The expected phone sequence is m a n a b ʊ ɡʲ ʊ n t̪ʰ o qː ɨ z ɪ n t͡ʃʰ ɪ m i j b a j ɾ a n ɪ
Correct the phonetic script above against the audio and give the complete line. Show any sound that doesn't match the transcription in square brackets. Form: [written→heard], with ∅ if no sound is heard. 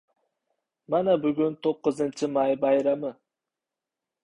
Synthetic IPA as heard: m a n a b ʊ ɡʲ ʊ n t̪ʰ o qː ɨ z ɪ n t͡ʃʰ ɪ m [i→a] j b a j ɾ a [n→m] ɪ